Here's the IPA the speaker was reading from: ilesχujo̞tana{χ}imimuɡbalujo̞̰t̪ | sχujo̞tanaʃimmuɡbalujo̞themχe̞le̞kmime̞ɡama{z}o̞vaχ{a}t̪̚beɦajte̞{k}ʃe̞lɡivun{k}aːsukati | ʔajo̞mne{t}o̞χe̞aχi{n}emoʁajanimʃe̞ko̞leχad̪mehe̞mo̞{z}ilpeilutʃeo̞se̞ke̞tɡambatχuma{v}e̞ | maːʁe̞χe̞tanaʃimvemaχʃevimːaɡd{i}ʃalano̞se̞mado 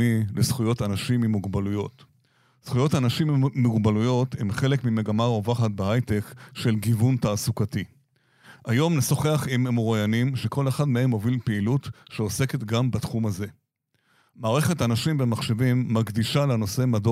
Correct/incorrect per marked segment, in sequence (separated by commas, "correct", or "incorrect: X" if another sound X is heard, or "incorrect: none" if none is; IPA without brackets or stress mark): incorrect: ʃ, incorrect: ʁ, correct, correct, incorrect: t, incorrect: s, incorrect: m, incorrect: v, incorrect: z, correct